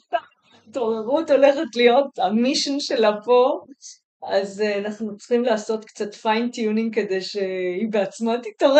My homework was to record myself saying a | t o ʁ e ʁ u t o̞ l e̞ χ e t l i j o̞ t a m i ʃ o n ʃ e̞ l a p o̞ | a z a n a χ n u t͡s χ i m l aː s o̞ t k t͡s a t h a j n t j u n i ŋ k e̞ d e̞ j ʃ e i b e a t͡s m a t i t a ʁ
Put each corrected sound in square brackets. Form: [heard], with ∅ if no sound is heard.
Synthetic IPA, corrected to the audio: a | t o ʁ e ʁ u t o̞ l e̞ χ e t l i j o̞ t a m i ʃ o n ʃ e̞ l a p o̞ | a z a n a χ n u t͡s χ i m l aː s o̞ t k t͡s a t [f] a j n t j u n i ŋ k e̞ d e̞ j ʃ e i b e a t͡s m a t i t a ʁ